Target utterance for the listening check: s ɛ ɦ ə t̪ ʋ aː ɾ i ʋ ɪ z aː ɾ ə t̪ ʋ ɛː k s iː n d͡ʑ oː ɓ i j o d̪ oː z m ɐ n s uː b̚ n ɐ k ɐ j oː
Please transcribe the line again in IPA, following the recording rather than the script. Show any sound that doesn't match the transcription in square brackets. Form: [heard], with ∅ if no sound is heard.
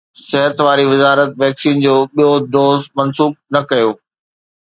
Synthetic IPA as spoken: s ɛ ɦ ə t̪ ʋ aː ɾ i ʋ ɪ z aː ɾ ə t̪ ʋ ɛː k s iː n d͡ʑ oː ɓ i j o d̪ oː z m ɐ n s uː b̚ n ɐ k ɐ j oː